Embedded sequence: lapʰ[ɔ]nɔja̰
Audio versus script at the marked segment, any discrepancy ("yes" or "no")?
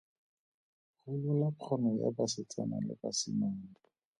no